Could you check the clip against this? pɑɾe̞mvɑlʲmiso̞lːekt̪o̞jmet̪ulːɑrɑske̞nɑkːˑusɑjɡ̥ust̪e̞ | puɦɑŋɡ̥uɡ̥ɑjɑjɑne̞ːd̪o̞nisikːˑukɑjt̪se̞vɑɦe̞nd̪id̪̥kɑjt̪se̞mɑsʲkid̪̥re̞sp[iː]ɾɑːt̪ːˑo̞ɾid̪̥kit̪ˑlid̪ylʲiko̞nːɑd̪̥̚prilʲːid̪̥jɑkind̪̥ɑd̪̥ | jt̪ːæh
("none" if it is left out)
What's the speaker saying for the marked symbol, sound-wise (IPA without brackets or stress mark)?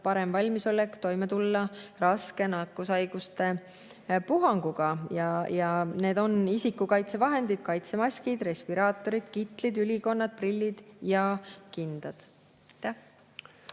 i